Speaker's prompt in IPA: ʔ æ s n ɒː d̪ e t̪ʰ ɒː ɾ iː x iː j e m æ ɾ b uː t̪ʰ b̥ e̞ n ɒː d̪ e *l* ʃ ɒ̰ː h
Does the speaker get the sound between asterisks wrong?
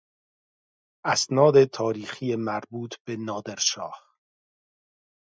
yes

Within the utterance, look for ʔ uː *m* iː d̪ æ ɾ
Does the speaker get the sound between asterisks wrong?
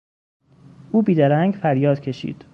yes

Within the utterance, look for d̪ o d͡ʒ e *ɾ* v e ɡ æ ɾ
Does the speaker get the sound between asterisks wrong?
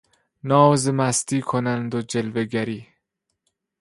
yes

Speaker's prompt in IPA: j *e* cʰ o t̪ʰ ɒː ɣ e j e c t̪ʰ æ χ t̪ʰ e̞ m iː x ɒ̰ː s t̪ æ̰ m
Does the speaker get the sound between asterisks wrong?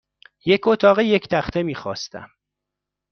no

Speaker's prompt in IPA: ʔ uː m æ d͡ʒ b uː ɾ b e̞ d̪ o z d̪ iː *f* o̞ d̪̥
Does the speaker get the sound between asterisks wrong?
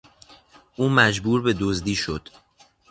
yes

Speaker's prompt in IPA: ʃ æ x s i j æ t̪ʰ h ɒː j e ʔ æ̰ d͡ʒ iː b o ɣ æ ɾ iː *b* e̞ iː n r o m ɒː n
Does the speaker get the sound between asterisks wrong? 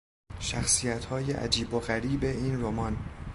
no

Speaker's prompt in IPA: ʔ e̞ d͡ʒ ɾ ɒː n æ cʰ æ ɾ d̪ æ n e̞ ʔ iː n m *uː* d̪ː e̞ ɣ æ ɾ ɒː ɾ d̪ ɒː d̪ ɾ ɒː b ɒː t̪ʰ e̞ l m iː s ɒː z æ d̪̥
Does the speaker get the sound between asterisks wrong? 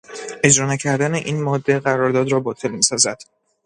yes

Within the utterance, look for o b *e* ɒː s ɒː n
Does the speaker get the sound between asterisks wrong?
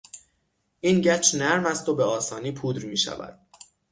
no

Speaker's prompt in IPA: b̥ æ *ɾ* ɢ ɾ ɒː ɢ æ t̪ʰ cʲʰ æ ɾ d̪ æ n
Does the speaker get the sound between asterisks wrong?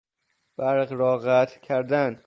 no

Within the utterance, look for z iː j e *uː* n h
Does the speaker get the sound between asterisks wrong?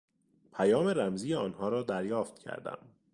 yes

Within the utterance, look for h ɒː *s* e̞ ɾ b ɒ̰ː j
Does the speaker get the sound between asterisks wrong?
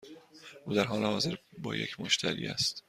yes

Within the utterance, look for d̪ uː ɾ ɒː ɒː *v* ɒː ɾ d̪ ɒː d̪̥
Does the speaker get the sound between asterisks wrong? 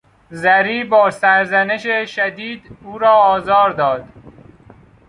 yes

